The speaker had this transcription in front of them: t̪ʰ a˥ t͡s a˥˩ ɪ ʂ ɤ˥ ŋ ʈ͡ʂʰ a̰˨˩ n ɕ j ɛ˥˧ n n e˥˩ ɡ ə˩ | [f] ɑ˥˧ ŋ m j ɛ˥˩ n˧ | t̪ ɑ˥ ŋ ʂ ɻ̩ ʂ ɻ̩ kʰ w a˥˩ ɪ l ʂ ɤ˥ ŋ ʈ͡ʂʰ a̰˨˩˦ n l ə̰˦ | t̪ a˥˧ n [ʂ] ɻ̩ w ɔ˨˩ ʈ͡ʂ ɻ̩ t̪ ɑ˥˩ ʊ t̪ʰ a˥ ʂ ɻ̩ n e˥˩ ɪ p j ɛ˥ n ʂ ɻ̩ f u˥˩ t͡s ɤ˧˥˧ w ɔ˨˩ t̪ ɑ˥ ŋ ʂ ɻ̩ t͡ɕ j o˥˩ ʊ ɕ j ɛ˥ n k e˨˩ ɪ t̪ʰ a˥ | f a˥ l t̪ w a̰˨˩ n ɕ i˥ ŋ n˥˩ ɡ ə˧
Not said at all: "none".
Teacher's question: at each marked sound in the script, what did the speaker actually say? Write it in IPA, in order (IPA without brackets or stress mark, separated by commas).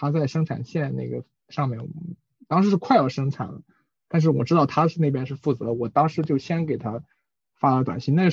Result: ʂ, ʂ